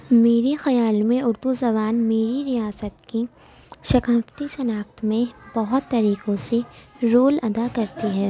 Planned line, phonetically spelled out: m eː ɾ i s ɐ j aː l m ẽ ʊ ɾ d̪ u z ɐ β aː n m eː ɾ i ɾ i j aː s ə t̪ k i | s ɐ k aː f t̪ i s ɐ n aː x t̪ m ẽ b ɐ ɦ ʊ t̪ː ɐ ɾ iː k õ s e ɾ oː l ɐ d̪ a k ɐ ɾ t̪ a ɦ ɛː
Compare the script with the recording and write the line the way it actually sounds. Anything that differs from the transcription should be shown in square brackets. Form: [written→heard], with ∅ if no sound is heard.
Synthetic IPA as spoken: m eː ɾ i [s→x] ɐ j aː l m ẽ ʊ ɾ d̪ u z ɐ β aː n m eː ɾ i ɾ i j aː s ə t̪ k i | [s→ʃ] ɐ k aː f t̪ i s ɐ n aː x t̪ m ẽ b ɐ ɦ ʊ t̪ː ɐ ɾ iː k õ s e ɾ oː l ɐ d̪ a k ɐ ɾ t̪ [a→i] ɦ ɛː

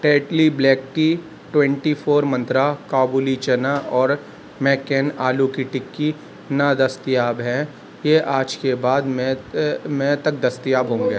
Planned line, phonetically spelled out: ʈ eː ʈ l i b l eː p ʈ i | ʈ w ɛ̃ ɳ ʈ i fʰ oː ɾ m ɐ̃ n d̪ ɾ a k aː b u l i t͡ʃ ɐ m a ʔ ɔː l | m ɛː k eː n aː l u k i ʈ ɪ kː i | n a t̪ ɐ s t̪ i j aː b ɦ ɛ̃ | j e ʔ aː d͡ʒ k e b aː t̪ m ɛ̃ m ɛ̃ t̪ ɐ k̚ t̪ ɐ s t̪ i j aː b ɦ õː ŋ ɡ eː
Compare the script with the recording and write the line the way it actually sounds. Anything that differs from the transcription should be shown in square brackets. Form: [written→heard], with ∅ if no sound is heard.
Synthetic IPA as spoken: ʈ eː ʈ l i b l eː [p→k] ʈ i | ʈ w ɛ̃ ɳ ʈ i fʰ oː ɾ m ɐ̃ n [d̪→t̪] ɾ a k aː b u l i t͡ʃ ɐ [m→n] a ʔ ɔː [l→ɾ] | m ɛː k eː n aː l u k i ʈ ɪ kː i | n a [t̪→d̪] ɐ s t̪ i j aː b ɦ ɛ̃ | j e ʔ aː d͡ʒ k e b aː [t̪→d̪] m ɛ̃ m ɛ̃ t̪ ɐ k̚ [t̪→d̪] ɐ s t̪ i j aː b ɦ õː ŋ ɡ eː

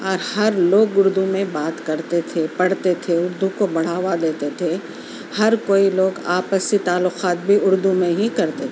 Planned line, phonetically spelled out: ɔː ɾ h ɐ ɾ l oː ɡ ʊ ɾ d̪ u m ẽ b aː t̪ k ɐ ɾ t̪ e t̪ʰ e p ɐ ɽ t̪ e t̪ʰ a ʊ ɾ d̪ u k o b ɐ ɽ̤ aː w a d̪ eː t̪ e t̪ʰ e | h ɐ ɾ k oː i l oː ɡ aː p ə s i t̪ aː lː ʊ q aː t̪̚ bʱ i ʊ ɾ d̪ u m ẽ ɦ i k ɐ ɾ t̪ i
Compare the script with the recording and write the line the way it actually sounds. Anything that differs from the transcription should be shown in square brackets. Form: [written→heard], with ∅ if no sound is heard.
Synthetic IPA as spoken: ɔː ɾ h ɐ ɾ l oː ɡ ʊ ɾ d̪ u m ẽ b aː t̪ k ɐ ɾ t̪ e t̪ʰ e p ɐ ɽ t̪ e t̪ʰ [a→e] ʊ ɾ d̪ u k o b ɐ ɽ̤ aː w a d̪ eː t̪ e t̪ʰ e | h ɐ ɾ k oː i l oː ɡ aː p ə s i t̪ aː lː ʊ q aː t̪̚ bʱ i ʊ ɾ d̪ u m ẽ ɦ i k ɐ ɾ t̪ [i→e]

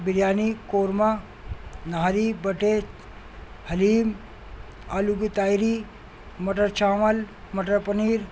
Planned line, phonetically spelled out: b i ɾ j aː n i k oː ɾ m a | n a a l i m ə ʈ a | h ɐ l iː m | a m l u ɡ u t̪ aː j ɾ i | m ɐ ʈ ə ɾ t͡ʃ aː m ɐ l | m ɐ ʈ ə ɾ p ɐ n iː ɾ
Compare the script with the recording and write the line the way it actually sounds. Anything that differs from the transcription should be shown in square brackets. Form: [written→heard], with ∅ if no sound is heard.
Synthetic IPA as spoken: b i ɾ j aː n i k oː ɾ m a | n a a [l→ɾ] i [m→b] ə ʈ [a→e] | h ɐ l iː m | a [m→∅] l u ɡ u t̪ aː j ɾ i | m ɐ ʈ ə ɾ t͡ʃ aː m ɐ l | m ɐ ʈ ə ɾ p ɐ n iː ɾ

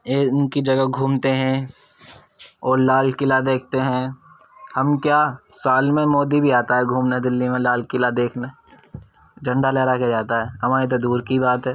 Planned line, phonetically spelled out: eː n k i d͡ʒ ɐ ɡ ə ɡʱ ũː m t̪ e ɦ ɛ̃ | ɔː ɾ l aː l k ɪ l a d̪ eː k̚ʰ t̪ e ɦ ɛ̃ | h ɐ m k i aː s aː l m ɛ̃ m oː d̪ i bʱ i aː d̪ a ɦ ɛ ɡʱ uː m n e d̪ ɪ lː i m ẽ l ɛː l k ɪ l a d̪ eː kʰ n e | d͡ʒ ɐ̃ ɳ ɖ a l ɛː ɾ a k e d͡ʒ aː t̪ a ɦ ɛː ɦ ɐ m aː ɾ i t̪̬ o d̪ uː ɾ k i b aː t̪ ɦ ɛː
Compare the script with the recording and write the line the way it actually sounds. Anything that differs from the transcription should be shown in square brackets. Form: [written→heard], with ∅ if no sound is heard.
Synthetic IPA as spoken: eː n k i d͡ʒ ɐ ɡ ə ɡʱ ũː m t̪ e ɦ ɛ̃ | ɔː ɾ l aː l k ɪ l a d̪ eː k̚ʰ t̪ e ɦ ɛ̃ | h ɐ m k [i→j] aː s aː l m [ɛ̃→ẽ] m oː d̪ i bʱ i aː [d̪→t̪] a ɦ ɛ ɡʱ uː m n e d̪ ɪ lː i m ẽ l [ɛː→aː] l k ɪ l a d̪ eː kʰ n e | d͡ʒ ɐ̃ ɳ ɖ a l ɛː ɾ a k e d͡ʒ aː t̪ a ɦ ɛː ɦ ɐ m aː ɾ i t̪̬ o d̪ uː ɾ k i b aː t̪ ɦ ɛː

